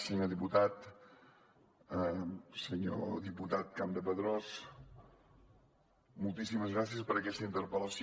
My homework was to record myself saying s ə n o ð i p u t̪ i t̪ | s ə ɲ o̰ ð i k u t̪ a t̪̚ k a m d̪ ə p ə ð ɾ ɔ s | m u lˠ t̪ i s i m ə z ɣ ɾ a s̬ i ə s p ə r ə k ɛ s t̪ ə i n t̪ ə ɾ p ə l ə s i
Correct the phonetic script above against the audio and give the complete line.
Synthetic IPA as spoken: s ə ɲ o ð i p u t̪ a t̪ | s ə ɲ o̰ ð i p u t̪ a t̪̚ k a m d̪ ə p ə ð ɾ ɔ s | m u lˠ t̪ i s i m ə z ɣ ɾ a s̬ i ə s p ə ɾ ə k ɛ s t̪ ə i n t̪ ə ɾ p ə l ə s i